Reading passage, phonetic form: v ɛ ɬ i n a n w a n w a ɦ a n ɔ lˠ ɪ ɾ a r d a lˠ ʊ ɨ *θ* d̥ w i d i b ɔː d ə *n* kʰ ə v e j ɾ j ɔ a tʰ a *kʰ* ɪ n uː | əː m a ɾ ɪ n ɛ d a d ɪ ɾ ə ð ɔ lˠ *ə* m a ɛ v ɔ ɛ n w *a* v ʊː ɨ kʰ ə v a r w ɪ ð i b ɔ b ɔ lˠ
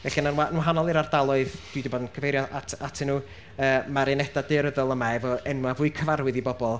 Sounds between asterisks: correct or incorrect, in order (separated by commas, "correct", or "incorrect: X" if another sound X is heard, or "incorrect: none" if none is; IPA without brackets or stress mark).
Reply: incorrect: ð, correct, incorrect: tʰ, correct, correct